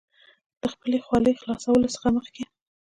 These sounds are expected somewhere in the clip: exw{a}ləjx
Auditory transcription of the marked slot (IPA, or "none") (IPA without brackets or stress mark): ɑ